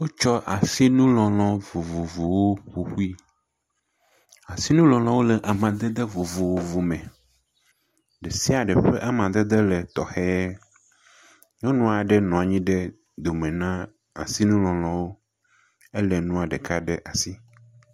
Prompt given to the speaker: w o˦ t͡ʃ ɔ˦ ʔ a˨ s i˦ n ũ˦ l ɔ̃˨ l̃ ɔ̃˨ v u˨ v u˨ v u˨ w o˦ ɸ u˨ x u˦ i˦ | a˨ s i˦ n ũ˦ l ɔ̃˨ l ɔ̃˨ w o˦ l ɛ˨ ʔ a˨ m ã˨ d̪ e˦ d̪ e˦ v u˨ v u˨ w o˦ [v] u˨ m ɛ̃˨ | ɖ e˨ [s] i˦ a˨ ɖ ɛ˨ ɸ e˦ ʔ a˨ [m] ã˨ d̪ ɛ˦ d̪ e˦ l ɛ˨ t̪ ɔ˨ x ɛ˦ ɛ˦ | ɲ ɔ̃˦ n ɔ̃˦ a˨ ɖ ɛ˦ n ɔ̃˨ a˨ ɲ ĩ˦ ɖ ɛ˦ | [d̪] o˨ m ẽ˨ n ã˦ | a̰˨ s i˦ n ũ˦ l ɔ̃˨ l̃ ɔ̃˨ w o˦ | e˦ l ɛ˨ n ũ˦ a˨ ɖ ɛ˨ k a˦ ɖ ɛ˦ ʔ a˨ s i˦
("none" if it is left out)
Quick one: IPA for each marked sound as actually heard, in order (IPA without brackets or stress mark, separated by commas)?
v, s, m, d̪